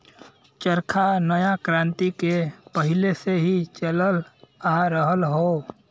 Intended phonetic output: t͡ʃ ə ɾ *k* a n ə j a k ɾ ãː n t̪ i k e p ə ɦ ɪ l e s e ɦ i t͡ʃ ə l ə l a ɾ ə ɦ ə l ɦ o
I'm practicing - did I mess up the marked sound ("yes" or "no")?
yes